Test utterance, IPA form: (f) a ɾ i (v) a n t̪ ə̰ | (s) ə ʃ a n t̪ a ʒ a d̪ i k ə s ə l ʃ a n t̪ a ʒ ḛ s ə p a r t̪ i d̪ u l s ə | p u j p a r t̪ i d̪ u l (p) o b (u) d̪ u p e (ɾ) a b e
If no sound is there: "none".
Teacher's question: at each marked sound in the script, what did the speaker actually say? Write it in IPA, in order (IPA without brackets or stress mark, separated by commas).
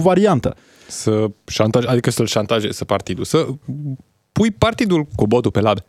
v, none, s, k, o, l